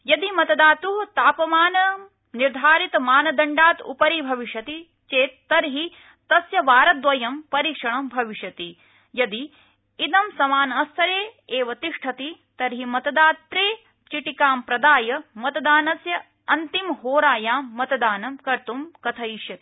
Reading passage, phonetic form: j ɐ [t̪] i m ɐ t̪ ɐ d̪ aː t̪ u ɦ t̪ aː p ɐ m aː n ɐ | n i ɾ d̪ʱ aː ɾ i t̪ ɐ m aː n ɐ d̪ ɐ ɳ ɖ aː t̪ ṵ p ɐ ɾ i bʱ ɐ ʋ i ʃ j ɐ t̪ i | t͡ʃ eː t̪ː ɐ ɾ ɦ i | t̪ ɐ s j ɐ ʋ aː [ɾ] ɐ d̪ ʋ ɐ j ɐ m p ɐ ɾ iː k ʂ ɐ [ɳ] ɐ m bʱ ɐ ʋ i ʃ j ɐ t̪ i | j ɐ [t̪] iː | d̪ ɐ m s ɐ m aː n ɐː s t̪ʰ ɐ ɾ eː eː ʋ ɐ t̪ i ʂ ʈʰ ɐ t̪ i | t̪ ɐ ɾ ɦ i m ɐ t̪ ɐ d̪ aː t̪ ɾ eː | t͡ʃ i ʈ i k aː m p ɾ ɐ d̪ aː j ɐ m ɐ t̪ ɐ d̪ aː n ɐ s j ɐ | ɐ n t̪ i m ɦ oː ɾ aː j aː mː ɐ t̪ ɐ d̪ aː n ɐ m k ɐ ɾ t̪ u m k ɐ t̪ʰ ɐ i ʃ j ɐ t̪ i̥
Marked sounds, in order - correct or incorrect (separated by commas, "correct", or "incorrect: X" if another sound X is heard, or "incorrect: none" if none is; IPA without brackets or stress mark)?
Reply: incorrect: d̪, correct, correct, incorrect: d̪